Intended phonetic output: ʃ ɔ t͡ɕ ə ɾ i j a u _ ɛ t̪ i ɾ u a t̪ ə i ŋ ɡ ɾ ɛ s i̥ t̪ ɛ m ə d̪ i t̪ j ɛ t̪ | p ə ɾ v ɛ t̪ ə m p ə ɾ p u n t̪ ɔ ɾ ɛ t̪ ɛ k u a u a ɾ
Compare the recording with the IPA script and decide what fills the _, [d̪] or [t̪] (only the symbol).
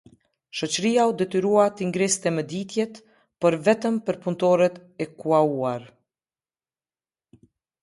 d̪